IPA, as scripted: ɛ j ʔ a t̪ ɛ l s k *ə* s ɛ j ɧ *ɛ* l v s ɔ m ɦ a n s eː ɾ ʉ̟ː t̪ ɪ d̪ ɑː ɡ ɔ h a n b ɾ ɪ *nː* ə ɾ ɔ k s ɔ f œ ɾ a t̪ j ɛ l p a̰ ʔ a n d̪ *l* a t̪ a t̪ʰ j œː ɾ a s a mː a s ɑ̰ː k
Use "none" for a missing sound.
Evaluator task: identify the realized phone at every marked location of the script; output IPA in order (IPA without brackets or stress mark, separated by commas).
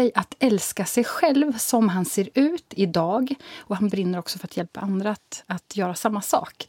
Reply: a, ɛ, nː, ɾ